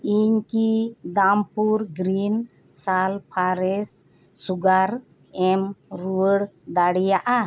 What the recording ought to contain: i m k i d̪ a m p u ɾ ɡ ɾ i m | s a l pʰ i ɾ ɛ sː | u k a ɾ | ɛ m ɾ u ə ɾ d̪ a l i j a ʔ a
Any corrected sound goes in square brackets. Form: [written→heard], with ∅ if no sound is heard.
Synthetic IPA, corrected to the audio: i [m→ɲ] k i d̪ a m p u ɾ ɡ ɾ i [m→n] | s a l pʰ [i→a] ɾ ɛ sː | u [k→ɡ] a ɾ | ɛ m ɾ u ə [ɾ→ɽ] d̪ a [l→ɽ] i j a ʔ a